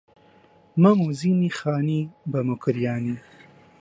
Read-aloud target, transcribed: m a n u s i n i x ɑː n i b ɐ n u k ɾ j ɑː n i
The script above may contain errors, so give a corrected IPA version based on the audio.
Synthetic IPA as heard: m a m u z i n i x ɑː n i b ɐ m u k ɾ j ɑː n i

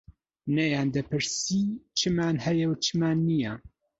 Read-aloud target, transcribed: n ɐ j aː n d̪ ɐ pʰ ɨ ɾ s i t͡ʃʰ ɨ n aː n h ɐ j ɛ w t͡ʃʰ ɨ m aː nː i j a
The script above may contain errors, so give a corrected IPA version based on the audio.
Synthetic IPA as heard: n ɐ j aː n d̪ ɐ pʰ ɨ ɾ s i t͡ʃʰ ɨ m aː n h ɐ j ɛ w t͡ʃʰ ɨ m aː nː i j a

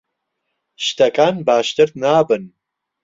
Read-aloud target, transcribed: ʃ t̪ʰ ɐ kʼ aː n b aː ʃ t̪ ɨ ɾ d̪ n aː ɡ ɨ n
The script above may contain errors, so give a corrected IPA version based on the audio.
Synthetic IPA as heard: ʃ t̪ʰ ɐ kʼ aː n b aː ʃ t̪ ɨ ɾ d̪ n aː b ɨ n

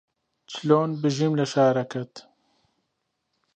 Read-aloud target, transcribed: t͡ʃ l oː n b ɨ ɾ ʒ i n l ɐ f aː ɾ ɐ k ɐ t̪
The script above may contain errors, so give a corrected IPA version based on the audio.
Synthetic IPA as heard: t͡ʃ l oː n b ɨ ʒ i m l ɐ ʃ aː ɾ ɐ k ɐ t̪

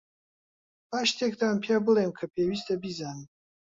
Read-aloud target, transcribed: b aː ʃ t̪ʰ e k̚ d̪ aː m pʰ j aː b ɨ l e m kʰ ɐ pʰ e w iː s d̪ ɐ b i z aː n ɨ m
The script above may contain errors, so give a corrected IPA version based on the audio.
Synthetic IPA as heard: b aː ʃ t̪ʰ e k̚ d̪ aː m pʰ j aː b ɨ l e m kʰ ɐ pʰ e w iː s t̪ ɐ b i z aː n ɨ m

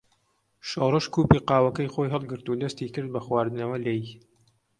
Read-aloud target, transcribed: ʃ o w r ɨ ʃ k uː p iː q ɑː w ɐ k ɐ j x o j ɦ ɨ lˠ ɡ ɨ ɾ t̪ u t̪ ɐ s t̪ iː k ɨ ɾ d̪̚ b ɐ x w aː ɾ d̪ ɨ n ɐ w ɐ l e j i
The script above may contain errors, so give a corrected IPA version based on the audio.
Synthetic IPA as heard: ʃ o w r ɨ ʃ k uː p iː q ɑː w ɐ k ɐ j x o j ɦ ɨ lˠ ɡ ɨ ɾ t̪ u d̪ ɐ s t̪ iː k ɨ ɾ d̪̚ b ɐ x w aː ɾ d̪ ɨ n ɐ w ɐ l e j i

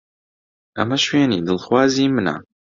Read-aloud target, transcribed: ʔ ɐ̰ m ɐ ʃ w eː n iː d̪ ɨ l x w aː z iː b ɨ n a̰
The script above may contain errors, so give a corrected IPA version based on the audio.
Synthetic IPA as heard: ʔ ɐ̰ m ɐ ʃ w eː n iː d̪ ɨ l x w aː z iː m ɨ n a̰

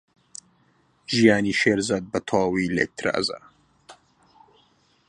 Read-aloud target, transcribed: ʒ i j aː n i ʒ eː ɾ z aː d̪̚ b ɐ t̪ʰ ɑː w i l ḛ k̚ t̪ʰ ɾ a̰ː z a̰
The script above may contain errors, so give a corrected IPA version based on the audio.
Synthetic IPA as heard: ʒ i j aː n i ʃ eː ɾ z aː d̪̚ b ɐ t̪ʰ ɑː w i l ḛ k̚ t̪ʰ ɾ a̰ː z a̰

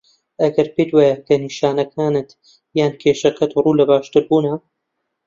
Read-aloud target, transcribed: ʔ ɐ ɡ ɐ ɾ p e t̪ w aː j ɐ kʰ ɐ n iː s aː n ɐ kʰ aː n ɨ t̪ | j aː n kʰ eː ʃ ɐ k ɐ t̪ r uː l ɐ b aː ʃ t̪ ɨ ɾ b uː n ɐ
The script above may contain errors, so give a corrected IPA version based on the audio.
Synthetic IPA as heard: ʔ ɐ ɡ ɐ ɾ p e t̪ w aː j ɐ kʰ ɐ n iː ʃ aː n ɐ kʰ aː n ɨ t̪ | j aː n kʰ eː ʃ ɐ k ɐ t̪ r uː l ɐ b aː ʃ t̪ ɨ ɾ b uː n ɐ

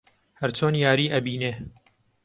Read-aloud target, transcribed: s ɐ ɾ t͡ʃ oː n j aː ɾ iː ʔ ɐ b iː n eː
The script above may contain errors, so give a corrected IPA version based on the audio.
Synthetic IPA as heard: h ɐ ɾ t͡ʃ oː n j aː ɾ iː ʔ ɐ b iː n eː

